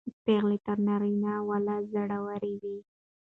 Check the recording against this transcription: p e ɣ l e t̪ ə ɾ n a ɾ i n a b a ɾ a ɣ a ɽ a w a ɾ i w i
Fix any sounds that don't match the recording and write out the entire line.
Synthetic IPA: p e ɣ l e t̪ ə ɾ n a ɾ i n a w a l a z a ɽ a w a ɾ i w i